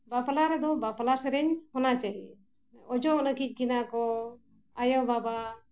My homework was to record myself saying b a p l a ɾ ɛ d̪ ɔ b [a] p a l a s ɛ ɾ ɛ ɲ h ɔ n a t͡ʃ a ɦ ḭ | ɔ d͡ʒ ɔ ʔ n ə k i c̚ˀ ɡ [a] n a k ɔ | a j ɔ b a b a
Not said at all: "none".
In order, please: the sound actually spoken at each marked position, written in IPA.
a, i

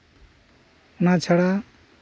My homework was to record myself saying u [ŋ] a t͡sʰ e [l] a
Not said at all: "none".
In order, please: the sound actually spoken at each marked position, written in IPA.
n, ɽ

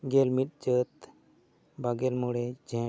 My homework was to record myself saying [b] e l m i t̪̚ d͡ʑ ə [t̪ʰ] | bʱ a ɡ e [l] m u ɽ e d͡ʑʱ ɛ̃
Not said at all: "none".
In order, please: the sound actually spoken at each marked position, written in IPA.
ɡ, t̪, l

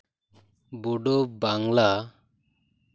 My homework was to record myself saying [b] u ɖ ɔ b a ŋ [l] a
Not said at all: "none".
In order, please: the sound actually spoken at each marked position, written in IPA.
b, l

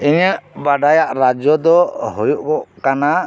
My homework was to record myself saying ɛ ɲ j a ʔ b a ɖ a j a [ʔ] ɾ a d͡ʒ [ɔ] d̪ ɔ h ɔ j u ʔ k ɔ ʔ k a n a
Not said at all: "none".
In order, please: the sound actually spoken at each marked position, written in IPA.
ʔ, ɔ

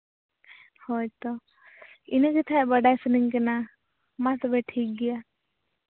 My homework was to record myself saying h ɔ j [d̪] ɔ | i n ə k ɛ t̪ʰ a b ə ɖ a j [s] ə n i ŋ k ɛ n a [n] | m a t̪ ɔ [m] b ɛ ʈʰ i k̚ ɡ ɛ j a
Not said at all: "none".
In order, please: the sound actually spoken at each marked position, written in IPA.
t̪, s, none, none

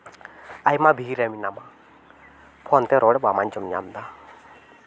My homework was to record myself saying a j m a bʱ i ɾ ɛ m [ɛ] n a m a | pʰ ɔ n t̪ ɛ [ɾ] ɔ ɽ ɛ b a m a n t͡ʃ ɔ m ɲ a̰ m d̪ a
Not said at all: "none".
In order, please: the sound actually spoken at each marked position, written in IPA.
i, ɾ

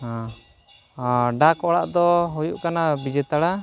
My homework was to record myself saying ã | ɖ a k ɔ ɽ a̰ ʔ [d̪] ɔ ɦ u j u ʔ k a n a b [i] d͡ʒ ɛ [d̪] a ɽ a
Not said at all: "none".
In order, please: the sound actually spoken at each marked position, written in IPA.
d̪, i, t̪

